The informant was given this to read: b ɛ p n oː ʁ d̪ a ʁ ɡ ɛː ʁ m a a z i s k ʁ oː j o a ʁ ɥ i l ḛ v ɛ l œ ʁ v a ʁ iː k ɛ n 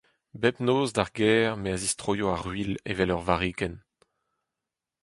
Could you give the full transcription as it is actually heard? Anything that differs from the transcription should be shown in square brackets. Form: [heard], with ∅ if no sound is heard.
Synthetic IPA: b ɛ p n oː [z] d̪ a ʁ ɡ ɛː ʁ m [e] a z i s [t] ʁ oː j o a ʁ ɥ i l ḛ v ɛ l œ ʁ v a ʁ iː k ɛ n